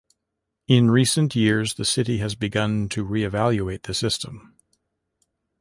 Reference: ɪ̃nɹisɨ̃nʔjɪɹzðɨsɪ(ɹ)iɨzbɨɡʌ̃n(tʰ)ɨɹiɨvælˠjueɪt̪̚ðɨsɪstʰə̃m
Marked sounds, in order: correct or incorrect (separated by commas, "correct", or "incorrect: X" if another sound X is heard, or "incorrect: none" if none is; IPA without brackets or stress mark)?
incorrect: ɾ, correct